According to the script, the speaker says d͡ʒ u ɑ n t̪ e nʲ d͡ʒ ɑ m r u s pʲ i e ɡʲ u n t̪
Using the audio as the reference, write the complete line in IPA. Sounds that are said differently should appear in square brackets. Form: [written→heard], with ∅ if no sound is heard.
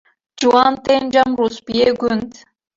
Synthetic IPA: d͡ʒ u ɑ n t̪ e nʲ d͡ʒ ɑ m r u s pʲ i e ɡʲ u n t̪